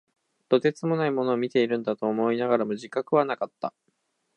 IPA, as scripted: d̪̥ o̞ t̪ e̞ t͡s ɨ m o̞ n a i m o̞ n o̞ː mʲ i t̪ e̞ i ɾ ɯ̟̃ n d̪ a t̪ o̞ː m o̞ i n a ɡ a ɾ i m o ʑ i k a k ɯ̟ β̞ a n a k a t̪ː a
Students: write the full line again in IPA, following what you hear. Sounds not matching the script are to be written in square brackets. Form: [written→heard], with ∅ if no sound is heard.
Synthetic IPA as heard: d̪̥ o̞ t̪ e̞ t͡s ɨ m o̞ n a i m o̞ n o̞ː mʲ i t̪ e̞ i ɾ ɯ̟̃ n d̪ a t̪ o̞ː m o̞ i n a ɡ a ɾ [i→a] m o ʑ i k a k ɯ̟ β̞ a n a k a t̪ː a